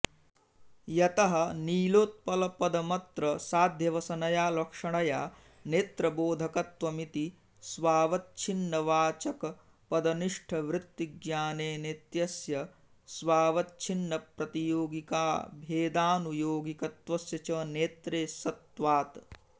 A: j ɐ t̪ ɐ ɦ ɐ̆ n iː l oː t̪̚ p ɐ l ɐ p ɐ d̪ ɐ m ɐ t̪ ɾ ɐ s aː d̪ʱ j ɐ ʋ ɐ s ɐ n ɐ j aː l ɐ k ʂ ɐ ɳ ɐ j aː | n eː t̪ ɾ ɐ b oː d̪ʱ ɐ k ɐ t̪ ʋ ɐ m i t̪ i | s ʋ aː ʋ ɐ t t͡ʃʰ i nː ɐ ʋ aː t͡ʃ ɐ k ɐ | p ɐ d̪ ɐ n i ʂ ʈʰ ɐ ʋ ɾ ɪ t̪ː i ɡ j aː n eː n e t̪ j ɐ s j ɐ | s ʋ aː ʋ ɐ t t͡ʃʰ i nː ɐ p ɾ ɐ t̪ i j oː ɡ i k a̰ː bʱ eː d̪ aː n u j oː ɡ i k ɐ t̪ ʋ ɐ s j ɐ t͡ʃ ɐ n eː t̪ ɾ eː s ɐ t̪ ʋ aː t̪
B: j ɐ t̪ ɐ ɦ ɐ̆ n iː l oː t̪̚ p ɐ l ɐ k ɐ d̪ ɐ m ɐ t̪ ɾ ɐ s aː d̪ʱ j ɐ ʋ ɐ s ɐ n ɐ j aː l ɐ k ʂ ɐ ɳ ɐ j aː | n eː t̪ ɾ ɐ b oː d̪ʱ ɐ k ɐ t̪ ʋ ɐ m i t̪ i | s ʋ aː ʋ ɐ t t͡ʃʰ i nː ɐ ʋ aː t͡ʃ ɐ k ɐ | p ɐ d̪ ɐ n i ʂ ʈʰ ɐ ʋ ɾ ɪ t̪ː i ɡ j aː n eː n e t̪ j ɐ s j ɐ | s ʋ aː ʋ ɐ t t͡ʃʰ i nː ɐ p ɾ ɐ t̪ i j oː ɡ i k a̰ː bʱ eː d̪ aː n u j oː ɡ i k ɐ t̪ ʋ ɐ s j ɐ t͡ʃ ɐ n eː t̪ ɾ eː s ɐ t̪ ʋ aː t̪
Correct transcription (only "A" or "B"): A